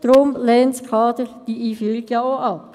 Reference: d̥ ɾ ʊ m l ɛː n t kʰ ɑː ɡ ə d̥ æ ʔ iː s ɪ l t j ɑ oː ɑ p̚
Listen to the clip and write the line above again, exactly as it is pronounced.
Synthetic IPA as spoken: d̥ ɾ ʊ m l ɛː n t kʰ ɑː d ə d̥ i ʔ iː f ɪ l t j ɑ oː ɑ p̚